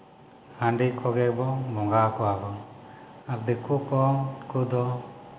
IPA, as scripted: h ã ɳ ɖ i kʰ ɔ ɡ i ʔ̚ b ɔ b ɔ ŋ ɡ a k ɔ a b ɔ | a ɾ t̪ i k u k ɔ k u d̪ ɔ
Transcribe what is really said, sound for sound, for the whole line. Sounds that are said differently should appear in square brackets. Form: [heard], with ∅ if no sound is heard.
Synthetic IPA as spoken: h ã ɳ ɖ i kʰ ɔ ɡ [ɛ] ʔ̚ b ɔ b ɔ ŋ ɡ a k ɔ a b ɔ | a ɾ [d̪] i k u k ɔ k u d̪ ɔ